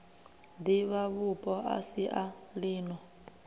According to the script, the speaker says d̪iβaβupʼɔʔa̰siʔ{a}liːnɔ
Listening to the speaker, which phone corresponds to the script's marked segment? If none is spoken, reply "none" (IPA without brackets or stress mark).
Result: a